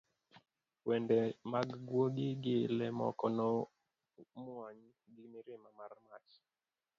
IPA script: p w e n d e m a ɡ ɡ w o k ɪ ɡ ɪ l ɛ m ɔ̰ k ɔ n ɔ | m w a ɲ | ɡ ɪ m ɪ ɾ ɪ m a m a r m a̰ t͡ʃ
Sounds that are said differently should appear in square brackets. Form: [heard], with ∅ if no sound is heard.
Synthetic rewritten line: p w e n d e m a ɡ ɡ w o [ɡ] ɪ ɡ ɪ l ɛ m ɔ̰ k ɔ n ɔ | m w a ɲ | ɡ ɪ m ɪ ɾ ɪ m a m a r m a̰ t͡ʃ